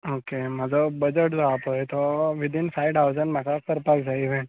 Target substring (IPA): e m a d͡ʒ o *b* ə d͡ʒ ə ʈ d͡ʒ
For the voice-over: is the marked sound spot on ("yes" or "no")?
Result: yes